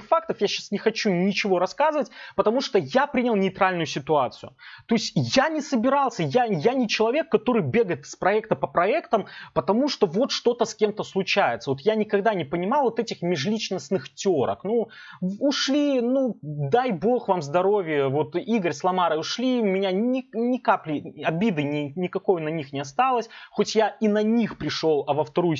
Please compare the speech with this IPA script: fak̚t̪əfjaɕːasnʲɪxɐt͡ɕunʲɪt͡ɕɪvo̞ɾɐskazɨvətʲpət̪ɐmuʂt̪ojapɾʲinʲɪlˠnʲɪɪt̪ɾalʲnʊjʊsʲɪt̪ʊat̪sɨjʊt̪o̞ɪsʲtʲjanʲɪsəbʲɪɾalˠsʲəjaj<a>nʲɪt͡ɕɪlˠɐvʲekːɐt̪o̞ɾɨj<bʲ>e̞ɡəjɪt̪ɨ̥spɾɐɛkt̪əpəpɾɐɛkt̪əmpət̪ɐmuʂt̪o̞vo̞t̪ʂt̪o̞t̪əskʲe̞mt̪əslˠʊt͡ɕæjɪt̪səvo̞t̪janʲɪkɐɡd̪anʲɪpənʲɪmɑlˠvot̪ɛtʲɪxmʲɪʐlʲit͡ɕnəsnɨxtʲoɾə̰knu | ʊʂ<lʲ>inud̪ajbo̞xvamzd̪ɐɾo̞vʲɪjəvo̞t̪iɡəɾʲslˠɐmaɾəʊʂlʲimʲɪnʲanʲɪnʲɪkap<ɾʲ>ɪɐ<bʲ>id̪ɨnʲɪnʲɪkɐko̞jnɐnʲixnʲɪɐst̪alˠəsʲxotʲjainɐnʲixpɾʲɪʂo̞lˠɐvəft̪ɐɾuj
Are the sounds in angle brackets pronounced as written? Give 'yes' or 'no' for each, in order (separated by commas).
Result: yes, yes, yes, no, yes